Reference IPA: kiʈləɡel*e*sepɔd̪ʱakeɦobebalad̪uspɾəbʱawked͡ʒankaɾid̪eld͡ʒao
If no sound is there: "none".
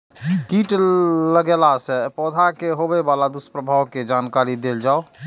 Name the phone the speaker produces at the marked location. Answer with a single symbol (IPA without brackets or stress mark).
a